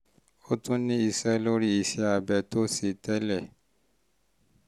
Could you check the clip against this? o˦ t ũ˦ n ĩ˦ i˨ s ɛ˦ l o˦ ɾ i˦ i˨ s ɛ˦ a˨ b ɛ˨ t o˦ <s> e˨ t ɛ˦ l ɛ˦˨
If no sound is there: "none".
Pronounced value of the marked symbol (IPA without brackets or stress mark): s